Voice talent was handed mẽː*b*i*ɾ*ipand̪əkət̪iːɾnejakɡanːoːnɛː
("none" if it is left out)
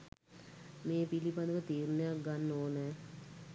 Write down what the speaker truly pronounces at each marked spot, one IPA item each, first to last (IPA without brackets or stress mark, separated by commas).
p, l